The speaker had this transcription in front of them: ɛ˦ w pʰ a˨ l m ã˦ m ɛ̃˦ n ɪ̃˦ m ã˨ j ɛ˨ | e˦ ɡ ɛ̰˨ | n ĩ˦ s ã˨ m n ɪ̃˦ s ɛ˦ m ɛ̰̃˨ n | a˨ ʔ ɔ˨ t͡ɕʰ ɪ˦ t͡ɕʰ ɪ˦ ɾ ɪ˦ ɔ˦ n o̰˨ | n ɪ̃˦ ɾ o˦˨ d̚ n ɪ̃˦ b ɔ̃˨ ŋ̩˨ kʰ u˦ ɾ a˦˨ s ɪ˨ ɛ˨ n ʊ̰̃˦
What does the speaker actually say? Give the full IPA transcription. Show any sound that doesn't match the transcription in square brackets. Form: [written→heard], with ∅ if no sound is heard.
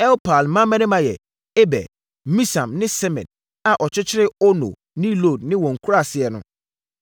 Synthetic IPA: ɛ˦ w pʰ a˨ l m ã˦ m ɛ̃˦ n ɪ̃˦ m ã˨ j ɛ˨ | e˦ [ɡ→b] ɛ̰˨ | [n→m] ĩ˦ s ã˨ m n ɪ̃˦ s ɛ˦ m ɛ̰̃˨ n | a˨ ʔ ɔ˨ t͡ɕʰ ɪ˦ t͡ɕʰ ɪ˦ ɾ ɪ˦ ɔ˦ n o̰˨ | n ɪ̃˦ [ɾ→l] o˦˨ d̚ n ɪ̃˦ [b→w] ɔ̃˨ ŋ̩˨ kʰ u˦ ɾ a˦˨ s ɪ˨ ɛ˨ n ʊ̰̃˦